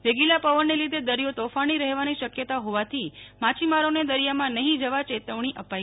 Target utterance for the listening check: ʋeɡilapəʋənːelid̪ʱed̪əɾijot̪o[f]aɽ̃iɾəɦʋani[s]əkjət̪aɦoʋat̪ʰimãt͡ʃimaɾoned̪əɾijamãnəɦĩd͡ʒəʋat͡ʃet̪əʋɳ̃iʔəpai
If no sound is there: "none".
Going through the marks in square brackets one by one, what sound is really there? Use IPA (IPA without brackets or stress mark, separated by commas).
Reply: f, ʃ